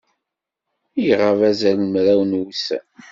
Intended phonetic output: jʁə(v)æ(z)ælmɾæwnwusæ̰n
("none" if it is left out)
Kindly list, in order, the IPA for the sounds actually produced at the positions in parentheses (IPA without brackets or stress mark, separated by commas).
v, z